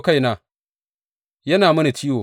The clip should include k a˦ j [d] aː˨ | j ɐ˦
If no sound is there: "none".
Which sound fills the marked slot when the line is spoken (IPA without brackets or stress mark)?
n